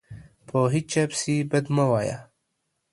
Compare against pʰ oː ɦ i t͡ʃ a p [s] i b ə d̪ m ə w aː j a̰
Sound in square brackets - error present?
no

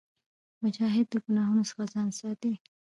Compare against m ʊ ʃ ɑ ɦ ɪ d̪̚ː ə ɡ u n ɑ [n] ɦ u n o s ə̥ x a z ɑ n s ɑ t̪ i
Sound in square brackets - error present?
yes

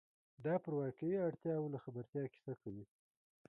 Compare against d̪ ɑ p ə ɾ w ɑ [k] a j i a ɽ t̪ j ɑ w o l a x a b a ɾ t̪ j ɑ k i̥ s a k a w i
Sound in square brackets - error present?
no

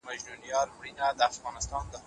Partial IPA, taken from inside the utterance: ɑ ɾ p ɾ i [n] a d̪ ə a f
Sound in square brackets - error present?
no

